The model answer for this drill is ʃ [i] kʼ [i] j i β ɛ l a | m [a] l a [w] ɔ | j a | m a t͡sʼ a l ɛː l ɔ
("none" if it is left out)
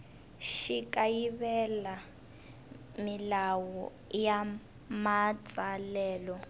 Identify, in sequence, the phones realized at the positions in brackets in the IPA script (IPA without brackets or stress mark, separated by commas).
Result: i, a, i, w